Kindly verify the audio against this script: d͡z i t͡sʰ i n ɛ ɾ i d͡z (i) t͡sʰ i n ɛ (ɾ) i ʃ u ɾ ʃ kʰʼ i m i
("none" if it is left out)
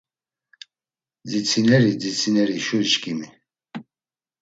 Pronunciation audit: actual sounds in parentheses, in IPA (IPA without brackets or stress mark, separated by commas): i, ɾ